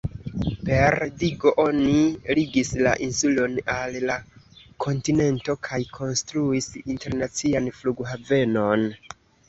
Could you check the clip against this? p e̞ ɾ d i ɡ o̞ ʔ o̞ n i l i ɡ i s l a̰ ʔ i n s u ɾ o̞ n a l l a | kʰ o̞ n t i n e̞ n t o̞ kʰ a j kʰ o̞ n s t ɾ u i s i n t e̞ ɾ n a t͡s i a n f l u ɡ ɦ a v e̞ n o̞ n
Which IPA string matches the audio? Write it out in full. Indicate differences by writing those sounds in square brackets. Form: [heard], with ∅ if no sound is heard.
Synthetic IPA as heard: p e̞ ɾ d i ɡ o̞ ʔ o̞ n i l i ɡ i s l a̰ ʔ i n s u [l] o̞ n a l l a | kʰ o̞ n t i n e̞ n t o̞ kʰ a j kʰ o̞ n s t ɾ u i s i n t e̞ ɾ n a t͡s i a n f l u ɡ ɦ a v e̞ n o̞ n